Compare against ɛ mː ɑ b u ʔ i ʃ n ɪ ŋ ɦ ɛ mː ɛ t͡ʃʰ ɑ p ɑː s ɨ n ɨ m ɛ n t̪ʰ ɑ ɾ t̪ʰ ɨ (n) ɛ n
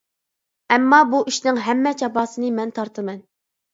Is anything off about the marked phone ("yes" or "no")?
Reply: yes